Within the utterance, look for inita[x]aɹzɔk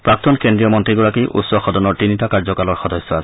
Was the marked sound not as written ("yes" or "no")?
yes